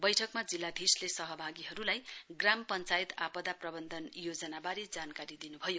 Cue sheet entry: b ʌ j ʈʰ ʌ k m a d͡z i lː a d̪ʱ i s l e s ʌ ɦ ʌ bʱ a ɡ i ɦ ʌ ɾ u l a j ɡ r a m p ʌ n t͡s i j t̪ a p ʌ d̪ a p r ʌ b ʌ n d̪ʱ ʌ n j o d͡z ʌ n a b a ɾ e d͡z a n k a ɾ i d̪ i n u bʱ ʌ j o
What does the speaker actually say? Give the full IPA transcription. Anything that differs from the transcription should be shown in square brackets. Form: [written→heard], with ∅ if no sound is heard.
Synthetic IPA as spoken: b ʌ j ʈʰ ʌ k m a d͡z i lː a d̪ʱ i s l e s ʌ ɦ ʌ bʱ a ɡ i ɦ ʌ ɾ u l a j ɡ r a m p ʌ n t͡s [i→a] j t̪ a p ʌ d̪ a p r ʌ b ʌ n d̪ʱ ʌ n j o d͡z ʌ n a b a ɾ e d͡z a n k a ɾ i d̪ i n u bʱ ʌ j o